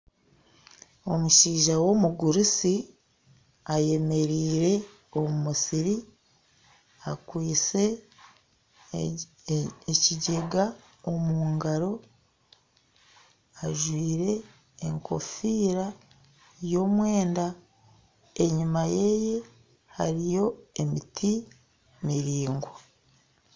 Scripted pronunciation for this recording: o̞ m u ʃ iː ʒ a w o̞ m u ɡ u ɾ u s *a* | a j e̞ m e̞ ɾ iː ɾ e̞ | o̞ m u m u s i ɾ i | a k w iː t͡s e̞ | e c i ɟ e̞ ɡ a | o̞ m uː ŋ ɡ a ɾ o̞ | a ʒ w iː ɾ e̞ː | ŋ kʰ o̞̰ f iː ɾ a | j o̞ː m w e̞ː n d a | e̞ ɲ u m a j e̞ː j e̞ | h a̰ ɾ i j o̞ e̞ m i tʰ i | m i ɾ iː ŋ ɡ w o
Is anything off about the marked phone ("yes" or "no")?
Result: yes